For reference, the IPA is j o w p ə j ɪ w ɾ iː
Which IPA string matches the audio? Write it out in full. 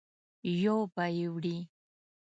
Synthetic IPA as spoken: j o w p a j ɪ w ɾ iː